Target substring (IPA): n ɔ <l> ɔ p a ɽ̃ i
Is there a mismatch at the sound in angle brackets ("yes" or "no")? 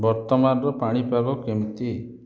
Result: yes